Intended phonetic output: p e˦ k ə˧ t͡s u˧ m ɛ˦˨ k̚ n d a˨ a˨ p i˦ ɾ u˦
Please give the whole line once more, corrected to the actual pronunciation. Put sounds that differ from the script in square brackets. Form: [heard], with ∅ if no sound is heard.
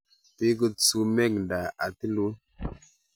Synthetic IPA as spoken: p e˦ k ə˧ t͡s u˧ m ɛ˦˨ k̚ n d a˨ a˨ [t] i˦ [l] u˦